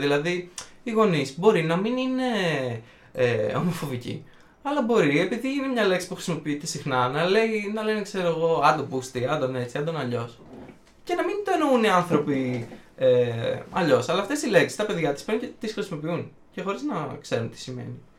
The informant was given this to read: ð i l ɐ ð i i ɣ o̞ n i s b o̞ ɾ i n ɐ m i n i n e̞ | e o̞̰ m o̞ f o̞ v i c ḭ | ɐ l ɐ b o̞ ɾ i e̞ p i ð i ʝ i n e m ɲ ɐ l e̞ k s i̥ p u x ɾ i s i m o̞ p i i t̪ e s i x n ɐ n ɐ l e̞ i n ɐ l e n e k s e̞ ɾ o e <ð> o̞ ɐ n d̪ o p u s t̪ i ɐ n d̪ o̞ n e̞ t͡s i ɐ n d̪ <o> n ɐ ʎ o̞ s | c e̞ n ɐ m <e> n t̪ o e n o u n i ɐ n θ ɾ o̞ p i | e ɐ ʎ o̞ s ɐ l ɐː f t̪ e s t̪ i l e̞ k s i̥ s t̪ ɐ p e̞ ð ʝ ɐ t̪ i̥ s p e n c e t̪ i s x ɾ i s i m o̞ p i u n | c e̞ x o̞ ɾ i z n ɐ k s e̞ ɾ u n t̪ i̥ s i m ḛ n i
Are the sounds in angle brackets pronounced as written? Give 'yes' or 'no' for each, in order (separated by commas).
no, yes, no